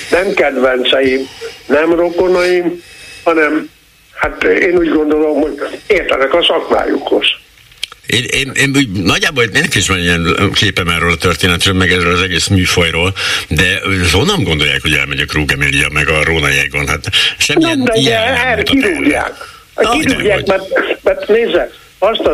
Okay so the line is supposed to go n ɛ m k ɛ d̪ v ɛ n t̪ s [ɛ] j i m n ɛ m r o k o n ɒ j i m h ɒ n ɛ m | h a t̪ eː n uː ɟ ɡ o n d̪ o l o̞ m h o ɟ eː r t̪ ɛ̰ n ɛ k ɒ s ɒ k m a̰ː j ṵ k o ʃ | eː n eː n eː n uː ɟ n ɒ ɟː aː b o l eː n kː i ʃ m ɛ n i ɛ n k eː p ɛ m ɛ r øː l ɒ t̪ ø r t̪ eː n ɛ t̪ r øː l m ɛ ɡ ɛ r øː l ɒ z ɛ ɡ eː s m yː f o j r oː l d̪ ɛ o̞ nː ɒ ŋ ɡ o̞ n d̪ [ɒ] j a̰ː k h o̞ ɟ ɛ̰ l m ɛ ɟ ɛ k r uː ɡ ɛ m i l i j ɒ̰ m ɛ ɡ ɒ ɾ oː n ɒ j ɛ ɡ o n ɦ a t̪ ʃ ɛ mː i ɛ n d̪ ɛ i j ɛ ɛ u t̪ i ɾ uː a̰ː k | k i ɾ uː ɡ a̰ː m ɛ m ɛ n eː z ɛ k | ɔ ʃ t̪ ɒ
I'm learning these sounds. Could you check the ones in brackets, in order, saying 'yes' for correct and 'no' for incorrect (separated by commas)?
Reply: yes, no